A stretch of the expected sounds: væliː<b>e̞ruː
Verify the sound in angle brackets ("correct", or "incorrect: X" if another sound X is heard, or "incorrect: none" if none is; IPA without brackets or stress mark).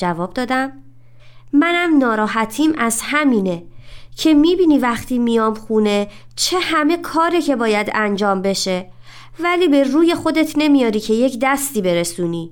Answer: correct